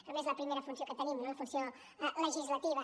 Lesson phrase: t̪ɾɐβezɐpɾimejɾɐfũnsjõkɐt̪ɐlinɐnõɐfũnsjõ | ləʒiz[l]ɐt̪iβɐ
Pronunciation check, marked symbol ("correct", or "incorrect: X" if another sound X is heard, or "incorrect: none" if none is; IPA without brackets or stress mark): correct